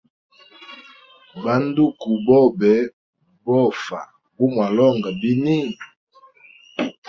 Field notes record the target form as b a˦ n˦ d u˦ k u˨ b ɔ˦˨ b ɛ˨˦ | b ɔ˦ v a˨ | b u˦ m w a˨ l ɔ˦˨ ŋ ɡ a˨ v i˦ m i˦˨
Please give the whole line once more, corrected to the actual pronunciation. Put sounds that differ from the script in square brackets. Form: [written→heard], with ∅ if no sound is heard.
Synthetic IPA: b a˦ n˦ d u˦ k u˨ b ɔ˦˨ b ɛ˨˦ | b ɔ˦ [v→f] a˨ | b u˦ m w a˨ l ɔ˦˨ ŋ ɡ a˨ [v→b] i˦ [m→n] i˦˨